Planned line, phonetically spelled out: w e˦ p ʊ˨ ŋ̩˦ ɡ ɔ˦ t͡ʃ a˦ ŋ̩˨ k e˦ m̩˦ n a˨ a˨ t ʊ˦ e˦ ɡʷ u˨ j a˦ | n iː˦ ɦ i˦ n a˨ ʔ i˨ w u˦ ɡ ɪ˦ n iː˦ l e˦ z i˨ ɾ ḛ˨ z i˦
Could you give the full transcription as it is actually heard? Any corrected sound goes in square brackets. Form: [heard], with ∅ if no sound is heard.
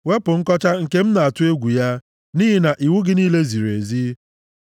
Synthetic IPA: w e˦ p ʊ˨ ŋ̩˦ [k] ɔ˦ t͡ʃ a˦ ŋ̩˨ k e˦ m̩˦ n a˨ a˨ t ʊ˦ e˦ ɡʷ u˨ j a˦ | n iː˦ ɦ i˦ n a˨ ʔ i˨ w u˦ ɡ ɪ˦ n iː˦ l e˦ z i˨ ɾ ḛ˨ z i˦

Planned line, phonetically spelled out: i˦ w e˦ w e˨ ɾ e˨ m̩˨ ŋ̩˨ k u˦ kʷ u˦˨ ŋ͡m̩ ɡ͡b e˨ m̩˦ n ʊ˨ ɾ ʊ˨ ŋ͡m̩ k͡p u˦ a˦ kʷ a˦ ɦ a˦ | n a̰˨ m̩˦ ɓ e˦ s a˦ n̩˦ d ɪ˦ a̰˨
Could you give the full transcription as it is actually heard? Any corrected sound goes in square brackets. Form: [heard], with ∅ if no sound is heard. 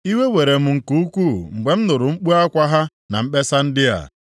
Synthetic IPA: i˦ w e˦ w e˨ ɾ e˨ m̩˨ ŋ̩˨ k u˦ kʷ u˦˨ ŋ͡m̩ ɡ͡b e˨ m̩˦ n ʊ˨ ɾ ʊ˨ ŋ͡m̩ k͡p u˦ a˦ kʷ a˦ ɦ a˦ | n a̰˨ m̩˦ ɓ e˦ s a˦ n̩˦ d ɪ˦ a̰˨

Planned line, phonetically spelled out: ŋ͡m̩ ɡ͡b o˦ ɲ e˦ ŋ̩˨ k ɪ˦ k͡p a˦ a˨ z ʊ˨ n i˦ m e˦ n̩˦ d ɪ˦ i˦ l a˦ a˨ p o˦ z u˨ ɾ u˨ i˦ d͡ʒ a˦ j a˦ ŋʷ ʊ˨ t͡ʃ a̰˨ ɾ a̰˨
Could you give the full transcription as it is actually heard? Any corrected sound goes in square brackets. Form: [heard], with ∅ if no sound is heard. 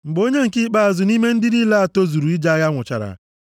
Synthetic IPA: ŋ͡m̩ ɡ͡b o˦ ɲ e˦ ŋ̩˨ k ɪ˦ k͡p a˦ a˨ z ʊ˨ n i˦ m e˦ n̩˦ d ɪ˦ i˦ l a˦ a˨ [t] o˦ z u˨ ɾ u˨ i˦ d͡ʒ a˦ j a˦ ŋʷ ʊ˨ t͡ʃ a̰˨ ɾ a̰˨

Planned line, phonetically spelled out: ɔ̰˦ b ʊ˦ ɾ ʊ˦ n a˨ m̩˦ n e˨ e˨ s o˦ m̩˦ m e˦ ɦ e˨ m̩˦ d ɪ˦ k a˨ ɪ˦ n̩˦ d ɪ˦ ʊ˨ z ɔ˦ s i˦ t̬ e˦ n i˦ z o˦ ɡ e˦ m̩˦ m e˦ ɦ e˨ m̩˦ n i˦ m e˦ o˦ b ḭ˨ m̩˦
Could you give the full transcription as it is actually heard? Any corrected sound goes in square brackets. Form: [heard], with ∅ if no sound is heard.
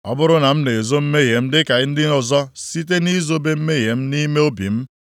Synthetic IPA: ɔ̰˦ b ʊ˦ ɾ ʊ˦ n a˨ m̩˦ n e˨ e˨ [z] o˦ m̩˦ m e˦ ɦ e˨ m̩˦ d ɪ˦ k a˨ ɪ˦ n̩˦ d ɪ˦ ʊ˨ z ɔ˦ s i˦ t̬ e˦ n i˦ z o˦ [b] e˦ m̩˦ m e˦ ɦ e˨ m̩˦ n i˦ m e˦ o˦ b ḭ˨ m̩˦

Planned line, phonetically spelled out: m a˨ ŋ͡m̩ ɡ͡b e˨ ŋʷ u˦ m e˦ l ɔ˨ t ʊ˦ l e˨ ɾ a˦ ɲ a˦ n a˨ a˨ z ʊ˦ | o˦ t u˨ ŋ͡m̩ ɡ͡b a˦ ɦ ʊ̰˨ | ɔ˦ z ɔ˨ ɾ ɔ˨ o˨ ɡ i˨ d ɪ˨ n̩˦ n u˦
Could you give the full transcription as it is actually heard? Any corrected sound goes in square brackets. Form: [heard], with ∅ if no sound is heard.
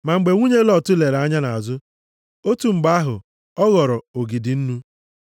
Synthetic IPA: m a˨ ŋ͡m̩ ɡ͡b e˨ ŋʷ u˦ [ɲ] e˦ l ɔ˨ t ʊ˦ l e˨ ɾ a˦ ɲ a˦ n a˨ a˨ z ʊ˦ | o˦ t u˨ ŋ͡m̩ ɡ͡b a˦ ɦ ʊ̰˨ | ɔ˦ [ɣ] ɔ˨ ɾ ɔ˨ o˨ ɡ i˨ d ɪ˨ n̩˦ n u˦

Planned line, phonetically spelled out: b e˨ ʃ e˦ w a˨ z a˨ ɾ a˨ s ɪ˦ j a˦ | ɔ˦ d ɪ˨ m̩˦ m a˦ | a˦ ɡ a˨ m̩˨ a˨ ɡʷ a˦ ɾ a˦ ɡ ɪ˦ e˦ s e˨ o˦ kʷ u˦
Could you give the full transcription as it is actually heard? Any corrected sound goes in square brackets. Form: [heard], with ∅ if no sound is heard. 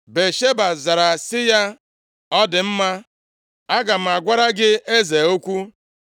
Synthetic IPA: b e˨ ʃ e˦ [b] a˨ z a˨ ɾ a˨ s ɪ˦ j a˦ | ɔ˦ d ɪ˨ m̩˦ m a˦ | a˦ ɡ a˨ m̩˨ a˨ ɡʷ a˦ ɾ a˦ ɡ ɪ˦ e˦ [z] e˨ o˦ kʷ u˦

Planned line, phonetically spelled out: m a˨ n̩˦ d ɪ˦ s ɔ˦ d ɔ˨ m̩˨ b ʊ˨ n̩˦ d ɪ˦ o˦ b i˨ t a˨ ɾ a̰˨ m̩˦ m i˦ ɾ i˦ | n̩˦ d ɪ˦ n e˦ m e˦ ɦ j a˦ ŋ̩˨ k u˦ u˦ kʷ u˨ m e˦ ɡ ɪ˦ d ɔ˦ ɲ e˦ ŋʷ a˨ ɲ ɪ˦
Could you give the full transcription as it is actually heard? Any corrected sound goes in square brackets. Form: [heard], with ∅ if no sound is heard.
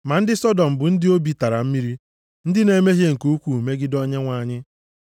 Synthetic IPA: m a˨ n̩˦ d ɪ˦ s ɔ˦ d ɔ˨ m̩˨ b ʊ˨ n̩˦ d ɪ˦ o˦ b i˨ t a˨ ɾ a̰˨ m̩˦ m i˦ ɾ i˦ | n̩˦ d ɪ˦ n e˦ m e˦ ɦ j [e˦] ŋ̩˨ k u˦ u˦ kʷ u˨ m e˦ ɡ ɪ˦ d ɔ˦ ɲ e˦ ŋʷ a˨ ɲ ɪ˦

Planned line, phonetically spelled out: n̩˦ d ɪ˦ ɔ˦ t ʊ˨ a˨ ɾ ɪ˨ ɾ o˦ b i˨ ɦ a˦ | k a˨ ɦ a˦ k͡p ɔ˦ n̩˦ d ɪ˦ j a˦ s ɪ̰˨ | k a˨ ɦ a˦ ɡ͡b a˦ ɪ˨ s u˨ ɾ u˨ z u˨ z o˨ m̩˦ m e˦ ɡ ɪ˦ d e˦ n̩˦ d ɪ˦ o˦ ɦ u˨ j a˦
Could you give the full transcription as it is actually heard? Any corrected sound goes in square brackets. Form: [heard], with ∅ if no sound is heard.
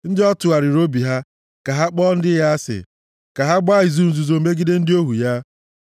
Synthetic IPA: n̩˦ d ɪ˦ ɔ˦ t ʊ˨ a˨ ɾ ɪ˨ ɾ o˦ b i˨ ɦ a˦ | k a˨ ɦ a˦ k͡p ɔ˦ n̩˦ d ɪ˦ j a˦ s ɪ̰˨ | k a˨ ɦ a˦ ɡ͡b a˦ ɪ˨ [z] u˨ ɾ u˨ z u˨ z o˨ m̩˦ m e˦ ɡ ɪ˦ d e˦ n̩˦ d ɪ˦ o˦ ɦ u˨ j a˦

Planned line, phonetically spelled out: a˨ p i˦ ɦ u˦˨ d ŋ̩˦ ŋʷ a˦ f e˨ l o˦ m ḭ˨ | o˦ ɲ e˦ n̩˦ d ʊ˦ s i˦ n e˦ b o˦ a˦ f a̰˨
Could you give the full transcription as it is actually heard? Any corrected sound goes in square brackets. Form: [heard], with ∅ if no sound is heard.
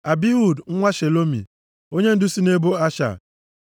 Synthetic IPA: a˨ [b] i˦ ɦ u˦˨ d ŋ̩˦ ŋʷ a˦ [ʃ] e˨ l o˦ m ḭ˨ | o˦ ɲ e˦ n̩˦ d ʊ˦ s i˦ n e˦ b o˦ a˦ [ʃ] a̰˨

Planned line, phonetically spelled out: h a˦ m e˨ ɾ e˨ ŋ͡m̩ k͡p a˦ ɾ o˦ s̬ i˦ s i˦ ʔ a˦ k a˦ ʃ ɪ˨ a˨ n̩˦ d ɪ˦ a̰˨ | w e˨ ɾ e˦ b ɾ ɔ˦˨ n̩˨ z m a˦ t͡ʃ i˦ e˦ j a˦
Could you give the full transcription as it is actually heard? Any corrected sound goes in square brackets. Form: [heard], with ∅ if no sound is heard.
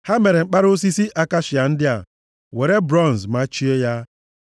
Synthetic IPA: h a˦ m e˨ ɾ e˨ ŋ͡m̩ k͡p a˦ ɾ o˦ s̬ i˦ s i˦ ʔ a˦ k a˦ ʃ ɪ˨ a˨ n̩˦ d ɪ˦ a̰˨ | w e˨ ɾ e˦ b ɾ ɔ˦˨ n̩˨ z m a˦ t͡ʃ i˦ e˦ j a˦

